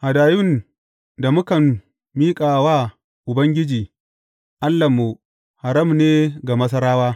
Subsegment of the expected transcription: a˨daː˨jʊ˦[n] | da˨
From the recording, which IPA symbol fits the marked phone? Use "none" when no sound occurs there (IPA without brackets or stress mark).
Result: n